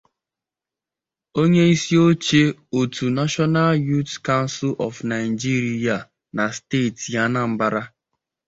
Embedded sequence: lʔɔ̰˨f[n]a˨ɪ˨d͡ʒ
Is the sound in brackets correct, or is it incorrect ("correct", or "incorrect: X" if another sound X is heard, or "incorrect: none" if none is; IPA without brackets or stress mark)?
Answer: correct